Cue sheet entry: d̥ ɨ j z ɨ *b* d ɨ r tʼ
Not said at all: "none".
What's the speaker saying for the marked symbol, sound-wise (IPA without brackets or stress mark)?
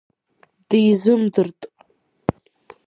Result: m